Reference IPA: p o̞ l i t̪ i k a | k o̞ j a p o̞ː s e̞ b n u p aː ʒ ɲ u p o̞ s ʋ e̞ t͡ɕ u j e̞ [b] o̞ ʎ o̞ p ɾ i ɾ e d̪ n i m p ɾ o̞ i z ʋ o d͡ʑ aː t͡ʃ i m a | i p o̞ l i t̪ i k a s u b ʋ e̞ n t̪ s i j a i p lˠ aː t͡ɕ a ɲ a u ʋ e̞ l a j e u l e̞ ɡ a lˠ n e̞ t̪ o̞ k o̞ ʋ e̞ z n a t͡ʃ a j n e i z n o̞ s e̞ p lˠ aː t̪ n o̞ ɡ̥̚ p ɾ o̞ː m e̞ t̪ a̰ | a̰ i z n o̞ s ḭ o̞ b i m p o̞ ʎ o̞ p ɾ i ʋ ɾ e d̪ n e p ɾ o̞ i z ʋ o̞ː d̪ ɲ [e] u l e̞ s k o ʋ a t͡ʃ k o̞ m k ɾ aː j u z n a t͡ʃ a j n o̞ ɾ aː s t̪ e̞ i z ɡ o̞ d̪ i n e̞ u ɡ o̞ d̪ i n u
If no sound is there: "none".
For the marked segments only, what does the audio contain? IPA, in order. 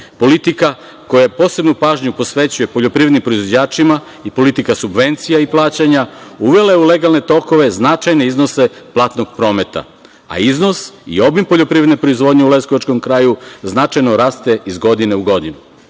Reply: p, e

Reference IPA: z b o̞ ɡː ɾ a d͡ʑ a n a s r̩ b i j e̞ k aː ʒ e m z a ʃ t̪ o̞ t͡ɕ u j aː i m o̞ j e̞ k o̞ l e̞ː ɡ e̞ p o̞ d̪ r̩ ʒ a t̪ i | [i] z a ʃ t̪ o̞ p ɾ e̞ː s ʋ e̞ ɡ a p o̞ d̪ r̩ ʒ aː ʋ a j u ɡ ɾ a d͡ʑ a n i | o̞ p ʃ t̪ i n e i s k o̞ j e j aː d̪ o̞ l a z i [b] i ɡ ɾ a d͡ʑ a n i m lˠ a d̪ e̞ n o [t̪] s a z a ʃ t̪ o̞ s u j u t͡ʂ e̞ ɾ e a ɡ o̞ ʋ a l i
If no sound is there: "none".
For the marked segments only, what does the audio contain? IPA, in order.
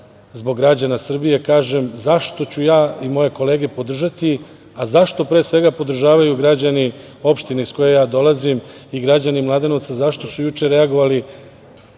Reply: a, m, t̪

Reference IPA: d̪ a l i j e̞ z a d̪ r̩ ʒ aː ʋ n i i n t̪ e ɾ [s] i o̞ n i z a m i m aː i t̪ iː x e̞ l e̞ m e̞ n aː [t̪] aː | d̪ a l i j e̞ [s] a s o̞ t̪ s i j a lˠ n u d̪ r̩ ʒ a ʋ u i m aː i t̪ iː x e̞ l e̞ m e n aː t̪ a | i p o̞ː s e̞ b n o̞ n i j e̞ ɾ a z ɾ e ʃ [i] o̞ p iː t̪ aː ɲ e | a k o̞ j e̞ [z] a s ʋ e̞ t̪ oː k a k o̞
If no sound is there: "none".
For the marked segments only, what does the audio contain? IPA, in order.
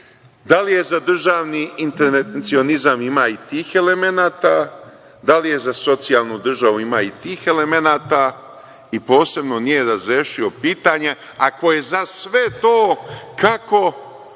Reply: s, t̪, z, i, z

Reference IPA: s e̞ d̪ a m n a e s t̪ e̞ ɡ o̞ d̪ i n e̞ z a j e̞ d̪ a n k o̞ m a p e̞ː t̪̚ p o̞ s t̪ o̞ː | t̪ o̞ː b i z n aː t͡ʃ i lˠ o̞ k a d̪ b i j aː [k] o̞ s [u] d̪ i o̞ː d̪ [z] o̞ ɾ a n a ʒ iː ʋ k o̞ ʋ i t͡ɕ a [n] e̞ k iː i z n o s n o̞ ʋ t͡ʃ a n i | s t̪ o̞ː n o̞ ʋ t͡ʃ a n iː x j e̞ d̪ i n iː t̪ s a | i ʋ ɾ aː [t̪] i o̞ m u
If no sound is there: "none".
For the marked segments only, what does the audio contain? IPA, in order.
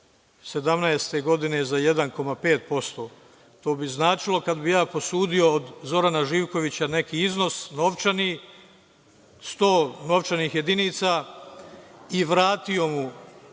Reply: p, uː, z, n, t̪

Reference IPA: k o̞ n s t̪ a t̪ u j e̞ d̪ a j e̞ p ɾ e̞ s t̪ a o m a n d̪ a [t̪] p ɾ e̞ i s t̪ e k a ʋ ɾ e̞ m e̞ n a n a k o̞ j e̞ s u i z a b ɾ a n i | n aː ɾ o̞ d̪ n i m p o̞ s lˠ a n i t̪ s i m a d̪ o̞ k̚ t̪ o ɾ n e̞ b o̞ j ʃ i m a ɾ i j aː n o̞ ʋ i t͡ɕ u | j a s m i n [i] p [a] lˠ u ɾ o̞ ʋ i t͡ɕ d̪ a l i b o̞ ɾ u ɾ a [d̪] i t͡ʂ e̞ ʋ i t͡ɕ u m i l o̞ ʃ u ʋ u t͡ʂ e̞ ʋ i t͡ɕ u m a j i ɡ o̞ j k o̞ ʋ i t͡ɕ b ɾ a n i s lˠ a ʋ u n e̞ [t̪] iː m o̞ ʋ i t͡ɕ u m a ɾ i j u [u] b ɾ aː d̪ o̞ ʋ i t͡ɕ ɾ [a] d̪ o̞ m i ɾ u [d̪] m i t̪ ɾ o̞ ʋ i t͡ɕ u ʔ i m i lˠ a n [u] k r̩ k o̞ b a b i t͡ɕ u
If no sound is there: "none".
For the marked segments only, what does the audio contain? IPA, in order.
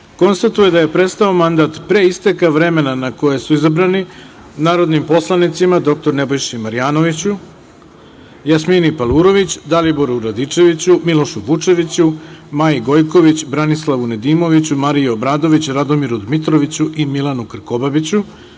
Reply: t̪, i, a, d̪, d̪, o, a, d̪, u

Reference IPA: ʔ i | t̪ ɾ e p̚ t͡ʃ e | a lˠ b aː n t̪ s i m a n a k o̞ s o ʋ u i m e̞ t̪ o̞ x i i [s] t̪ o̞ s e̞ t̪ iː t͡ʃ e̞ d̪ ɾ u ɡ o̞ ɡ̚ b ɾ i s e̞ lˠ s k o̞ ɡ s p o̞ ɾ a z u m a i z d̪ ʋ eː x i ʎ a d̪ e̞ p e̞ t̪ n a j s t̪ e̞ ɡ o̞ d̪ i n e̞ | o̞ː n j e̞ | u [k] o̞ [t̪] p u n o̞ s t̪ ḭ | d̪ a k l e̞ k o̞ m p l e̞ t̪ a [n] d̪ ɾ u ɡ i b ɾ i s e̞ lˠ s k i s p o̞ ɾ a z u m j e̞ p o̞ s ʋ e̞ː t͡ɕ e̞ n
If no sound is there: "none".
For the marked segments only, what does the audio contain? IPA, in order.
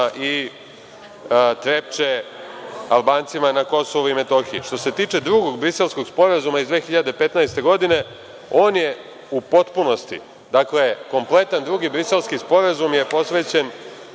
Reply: ʃ, p, t̪, n

